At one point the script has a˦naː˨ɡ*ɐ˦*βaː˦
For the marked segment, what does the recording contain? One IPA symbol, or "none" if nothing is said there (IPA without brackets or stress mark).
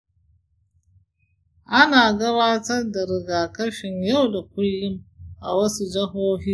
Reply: ɐ˦